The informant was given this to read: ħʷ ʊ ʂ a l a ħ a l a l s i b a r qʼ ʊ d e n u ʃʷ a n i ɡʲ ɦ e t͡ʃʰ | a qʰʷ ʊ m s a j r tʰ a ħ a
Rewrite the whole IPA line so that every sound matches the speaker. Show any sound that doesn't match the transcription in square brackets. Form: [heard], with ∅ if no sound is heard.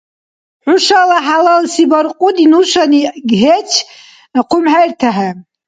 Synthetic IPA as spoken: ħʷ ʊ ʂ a l a ħ a l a l s i b a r qʼ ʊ d [i] n u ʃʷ a n i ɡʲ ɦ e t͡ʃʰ | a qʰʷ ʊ m [ħ] a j r tʰ a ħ a